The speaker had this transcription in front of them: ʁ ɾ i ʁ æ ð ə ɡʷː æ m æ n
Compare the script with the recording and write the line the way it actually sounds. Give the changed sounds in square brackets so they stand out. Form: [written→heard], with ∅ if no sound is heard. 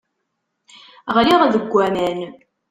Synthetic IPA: ʁ [ɾ→l] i ʁ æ ð ə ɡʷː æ m æ n